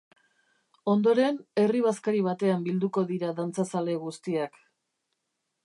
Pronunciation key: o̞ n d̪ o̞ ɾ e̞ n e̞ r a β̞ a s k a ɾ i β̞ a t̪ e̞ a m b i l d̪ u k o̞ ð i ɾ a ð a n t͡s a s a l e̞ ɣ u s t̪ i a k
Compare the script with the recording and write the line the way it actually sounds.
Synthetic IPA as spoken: o̞ n d̪ o̞ ɾ e̞ n e̞ r i β̞ a s k a ɾ i β̞ a t̪ e̞ a m b i l d̪ u k o̞ ð i ɾ a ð a n t͡s a s a l e̞ ɣ u s t̪ i a k